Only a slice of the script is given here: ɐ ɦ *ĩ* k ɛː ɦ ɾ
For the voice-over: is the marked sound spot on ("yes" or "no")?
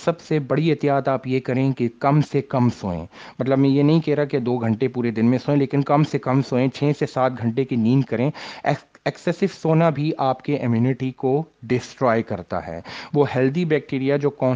yes